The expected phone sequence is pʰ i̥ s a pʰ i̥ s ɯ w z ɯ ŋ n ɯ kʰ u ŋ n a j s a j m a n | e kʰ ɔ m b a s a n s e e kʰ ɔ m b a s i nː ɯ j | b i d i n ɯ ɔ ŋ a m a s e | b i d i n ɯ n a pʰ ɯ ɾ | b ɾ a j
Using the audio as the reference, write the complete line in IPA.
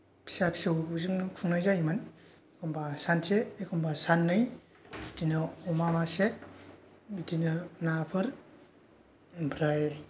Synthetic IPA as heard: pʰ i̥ s a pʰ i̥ s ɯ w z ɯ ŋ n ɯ kʰ u ŋ n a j z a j m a n | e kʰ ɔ m b a s a n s e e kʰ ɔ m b a s a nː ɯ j | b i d i n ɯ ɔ m a m a s e | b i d i n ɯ n a pʰ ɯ ɾ | b ɾ a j